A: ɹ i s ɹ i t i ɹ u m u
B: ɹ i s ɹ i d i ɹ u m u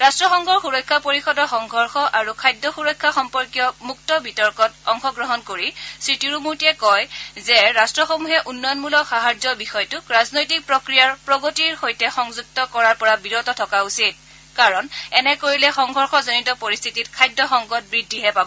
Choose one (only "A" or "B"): A